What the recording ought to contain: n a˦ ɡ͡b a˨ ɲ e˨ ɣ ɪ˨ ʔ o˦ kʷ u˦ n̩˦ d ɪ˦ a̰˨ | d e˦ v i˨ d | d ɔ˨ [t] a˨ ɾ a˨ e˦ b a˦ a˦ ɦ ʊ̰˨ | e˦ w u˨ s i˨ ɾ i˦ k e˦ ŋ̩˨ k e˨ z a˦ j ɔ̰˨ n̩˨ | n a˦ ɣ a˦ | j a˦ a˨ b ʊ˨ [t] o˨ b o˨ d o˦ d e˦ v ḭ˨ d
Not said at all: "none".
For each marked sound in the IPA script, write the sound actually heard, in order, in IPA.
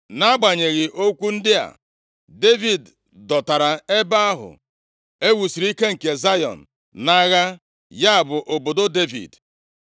t, ʔ

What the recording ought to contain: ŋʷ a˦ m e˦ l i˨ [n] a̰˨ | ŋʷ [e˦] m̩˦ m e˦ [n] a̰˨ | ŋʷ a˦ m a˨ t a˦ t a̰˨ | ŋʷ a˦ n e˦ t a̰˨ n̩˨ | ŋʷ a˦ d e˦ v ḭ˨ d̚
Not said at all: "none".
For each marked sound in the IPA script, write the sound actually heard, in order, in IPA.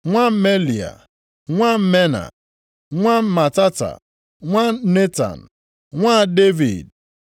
none, a˦, n

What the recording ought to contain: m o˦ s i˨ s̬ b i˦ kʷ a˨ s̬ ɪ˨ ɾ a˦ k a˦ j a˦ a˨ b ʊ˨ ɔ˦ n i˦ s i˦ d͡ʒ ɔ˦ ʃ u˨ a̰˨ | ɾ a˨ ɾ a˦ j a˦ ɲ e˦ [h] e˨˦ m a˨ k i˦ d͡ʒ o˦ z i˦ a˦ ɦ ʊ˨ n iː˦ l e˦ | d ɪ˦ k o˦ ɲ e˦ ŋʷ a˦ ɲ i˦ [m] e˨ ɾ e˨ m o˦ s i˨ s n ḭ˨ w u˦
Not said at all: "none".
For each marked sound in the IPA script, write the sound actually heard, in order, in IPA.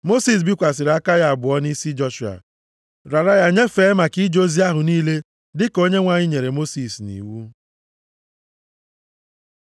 f, ɲ

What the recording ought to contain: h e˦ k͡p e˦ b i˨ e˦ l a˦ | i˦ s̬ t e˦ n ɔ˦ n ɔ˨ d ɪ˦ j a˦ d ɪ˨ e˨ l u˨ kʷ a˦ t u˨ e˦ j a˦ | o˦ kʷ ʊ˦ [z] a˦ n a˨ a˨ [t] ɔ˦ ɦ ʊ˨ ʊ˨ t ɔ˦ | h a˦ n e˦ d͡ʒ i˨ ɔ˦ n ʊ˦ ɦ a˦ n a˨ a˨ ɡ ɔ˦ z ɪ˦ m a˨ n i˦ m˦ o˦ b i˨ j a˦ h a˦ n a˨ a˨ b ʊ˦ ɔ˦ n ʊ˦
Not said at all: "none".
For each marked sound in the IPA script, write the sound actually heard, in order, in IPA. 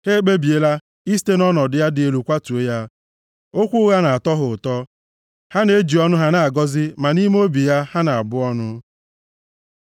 ɣ, t

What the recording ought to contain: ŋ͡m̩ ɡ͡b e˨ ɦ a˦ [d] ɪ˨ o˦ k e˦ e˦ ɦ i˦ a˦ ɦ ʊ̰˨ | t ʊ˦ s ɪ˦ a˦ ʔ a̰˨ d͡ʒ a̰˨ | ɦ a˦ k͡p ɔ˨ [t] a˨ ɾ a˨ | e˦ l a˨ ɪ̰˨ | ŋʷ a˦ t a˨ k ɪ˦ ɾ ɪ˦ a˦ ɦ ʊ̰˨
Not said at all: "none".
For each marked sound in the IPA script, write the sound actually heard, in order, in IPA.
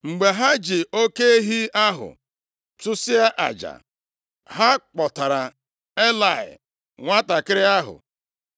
d͡ʒ, t

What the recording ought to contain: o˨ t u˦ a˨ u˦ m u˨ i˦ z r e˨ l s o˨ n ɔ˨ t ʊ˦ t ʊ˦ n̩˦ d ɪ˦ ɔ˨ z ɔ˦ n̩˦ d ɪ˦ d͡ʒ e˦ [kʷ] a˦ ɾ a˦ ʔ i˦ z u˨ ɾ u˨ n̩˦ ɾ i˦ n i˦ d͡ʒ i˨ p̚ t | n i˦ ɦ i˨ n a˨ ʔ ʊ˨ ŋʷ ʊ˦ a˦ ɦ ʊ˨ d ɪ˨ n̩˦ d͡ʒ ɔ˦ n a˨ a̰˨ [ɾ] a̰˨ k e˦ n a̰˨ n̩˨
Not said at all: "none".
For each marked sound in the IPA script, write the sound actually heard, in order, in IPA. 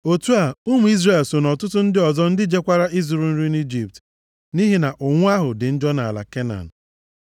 kʷ, l

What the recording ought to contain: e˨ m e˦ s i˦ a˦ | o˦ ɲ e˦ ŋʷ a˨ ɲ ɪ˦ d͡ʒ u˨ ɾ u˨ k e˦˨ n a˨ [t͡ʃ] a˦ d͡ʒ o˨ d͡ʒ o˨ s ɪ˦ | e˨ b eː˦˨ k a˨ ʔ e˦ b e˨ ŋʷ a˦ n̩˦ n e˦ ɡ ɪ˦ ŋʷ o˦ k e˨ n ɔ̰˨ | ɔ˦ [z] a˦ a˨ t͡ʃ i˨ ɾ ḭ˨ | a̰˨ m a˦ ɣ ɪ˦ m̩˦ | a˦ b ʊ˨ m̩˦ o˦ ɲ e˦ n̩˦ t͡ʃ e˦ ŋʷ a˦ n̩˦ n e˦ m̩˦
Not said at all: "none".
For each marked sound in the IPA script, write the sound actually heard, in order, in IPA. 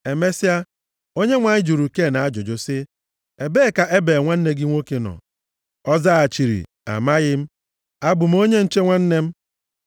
none, z

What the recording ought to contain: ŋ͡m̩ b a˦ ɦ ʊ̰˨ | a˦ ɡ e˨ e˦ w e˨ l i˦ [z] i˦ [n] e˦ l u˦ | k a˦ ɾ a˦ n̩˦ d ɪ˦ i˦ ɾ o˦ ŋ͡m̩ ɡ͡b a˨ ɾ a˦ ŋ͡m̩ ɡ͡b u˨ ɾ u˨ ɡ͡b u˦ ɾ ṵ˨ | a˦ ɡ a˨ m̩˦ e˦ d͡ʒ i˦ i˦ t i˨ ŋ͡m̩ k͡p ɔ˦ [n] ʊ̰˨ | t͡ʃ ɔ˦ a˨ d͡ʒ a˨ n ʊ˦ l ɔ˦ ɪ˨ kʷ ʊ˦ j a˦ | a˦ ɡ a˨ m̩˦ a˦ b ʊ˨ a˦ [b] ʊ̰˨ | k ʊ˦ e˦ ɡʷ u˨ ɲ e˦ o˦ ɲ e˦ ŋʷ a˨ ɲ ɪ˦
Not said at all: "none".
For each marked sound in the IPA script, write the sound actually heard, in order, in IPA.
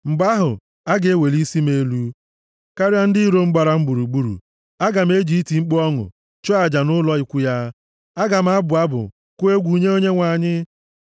s, m, ŋ, b

